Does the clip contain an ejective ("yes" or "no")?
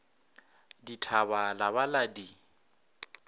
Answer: no